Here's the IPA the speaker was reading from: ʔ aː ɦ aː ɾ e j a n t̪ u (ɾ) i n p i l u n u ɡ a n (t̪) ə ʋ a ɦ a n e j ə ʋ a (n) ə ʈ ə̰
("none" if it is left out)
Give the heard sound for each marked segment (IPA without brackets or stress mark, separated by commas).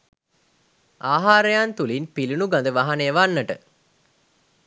l, d̪, nː